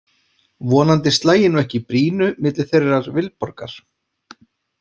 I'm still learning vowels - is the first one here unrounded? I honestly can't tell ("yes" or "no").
no